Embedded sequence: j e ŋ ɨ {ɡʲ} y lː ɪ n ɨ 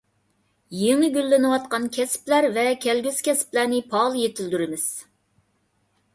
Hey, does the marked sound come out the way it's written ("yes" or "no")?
yes